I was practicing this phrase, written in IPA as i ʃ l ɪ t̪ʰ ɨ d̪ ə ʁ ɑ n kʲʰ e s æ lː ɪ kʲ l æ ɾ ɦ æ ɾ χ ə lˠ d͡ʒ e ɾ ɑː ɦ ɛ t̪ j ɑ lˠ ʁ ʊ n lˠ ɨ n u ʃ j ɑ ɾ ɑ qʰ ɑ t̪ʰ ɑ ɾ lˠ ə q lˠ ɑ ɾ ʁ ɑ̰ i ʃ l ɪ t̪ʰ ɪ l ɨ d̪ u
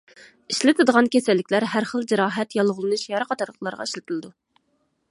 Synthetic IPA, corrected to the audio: i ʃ l ɪ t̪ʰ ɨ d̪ ə ʁ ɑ n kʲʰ e s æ lː ɪ kʲ l æ ɾ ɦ æ ɾ χ ə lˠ d͡ʒ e ɾ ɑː ɦ ɛ t̪ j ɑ lˠ ʁ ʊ lˠ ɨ n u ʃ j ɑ ɾ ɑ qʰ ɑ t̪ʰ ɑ ɾ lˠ ə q lˠ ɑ ɾ ʁ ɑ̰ i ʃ l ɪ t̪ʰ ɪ l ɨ d̪ u